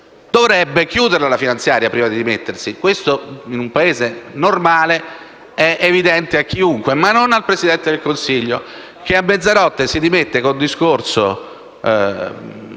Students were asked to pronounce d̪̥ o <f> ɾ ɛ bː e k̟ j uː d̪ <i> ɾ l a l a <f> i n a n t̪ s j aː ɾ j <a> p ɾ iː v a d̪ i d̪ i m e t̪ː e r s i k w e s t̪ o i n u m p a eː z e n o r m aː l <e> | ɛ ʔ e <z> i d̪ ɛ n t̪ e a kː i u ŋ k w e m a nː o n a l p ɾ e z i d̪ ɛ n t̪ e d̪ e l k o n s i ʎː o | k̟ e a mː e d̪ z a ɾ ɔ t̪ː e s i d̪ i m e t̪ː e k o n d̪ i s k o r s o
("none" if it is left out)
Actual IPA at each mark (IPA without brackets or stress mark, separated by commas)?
v, e, f, a, e, v